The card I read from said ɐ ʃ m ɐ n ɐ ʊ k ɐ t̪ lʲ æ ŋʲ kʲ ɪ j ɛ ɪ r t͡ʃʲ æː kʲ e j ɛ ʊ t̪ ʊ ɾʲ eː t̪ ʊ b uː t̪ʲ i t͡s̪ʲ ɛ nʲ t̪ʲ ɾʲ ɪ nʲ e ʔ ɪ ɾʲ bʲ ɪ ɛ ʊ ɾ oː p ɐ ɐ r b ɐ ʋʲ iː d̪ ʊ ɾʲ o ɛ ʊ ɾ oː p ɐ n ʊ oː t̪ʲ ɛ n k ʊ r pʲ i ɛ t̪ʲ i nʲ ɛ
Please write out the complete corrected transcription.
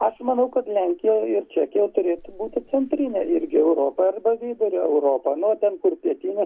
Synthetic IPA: ɐ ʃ m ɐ n ɐ ʊ k ɐ t̪ lʲ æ ŋʲ kʲ ɪ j ɛ ɪ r t͡ʃʲ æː kʲ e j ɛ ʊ t̪ ʊ ɾʲ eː t̪ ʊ b uː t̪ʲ ɪ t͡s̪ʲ ɛ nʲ t̪ʲ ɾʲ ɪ nʲ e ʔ ɪ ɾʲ ɡʲ ɪ ɛ ʊ ɾ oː p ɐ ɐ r b ɐ ʋʲ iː d̪ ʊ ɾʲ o ɛ ʊ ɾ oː p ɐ n ʊ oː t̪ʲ ɛ n k ʊ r pʲ i ɛ t̪ʲ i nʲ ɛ